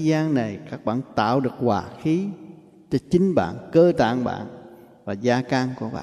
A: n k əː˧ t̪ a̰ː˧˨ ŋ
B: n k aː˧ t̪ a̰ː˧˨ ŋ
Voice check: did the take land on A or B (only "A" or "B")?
A